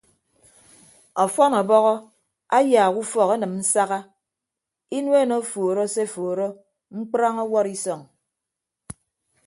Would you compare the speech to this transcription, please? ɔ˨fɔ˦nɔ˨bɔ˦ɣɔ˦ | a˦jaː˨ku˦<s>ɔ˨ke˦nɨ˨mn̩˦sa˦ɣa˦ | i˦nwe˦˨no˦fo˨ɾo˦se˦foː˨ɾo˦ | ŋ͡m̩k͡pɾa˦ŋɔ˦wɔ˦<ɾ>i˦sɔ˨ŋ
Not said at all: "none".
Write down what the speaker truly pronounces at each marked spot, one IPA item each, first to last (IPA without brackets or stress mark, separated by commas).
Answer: f, ɾ